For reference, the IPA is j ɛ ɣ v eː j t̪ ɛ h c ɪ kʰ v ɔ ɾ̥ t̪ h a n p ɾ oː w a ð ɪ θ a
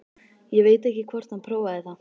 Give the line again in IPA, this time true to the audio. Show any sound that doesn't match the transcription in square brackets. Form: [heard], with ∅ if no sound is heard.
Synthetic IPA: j ɛ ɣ v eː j t̪ ɛ h c ɪ kʰ v ɔ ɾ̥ t̪ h a n [pʰ] ɾ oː w a ð ɪ θ a